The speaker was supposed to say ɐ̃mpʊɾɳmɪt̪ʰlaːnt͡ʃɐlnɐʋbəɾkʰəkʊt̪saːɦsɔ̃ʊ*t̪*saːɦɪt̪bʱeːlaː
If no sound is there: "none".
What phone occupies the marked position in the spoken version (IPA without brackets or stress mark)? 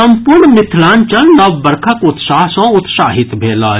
t̪